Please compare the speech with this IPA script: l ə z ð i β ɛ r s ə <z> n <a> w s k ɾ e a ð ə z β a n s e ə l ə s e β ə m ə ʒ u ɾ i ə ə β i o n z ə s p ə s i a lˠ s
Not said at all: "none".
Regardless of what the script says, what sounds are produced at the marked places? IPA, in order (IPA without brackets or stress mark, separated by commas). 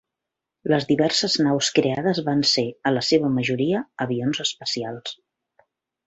z, a